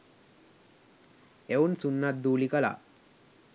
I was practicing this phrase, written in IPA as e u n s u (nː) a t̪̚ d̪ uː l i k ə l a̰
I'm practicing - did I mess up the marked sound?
no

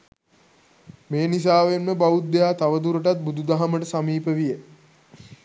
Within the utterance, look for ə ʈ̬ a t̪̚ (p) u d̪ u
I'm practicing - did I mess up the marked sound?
yes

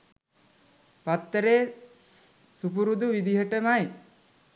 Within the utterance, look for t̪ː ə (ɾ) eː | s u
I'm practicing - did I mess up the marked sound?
no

